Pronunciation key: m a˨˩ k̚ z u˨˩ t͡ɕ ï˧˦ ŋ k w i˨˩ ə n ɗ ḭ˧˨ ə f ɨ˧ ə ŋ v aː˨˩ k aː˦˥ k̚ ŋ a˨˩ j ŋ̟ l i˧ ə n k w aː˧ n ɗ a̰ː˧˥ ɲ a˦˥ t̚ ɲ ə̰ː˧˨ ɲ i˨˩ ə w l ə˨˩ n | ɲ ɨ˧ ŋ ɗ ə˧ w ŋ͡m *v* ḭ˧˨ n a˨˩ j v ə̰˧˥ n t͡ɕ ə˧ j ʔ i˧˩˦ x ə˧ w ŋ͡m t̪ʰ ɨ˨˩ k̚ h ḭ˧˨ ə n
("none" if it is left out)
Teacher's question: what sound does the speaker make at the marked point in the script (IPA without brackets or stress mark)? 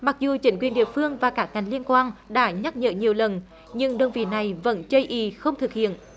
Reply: v